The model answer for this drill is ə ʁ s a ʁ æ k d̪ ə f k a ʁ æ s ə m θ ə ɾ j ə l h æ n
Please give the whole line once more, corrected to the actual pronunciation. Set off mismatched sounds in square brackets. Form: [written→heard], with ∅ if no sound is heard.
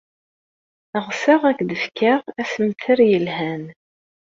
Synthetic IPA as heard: ə ʁ s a ʁ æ k d̪ ə f k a ʁ æ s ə m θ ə ɾ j ə l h æ n